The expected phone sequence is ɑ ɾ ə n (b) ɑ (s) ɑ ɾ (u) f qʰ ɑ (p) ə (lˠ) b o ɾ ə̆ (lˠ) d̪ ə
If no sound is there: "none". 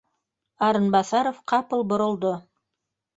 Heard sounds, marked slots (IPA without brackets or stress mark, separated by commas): b, s, o, p, lˠ, lˠ